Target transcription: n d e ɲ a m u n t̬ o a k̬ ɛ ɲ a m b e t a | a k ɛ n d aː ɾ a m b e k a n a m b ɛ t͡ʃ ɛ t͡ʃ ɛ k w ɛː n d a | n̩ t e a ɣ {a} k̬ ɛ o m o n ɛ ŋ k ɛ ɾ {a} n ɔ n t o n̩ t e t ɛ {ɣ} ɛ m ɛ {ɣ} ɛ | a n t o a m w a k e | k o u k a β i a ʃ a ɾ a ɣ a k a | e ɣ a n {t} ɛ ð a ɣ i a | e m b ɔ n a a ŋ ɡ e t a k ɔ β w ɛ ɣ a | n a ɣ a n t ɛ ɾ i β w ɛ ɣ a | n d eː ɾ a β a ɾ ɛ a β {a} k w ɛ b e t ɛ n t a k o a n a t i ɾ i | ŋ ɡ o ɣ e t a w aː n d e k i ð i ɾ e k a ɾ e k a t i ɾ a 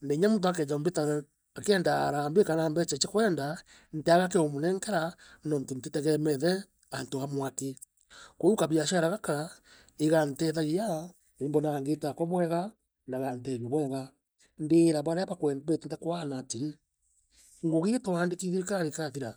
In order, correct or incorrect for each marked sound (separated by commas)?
correct, correct, correct, incorrect, correct, correct